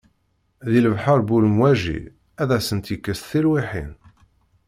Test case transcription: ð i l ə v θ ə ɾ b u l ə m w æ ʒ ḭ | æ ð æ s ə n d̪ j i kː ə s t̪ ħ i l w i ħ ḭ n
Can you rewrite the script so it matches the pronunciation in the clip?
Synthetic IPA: ð i l ə v ħ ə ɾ b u l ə m w æ ʒ ḭ | æ ð æ s ə n t̪ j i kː ə s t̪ θ i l w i ħ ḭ n